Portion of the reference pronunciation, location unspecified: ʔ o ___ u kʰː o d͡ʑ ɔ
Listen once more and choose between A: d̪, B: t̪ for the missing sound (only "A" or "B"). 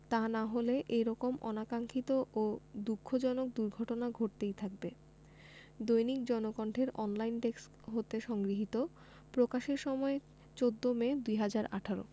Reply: A